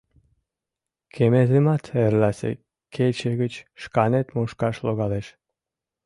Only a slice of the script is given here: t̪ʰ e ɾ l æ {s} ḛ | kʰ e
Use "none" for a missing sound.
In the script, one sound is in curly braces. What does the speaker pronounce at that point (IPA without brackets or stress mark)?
s